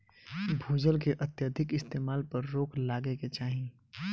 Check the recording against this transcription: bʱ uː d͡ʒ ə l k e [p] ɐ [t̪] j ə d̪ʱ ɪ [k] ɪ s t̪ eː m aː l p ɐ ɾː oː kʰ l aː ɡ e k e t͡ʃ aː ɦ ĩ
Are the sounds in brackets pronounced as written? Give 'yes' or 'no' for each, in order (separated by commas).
no, yes, yes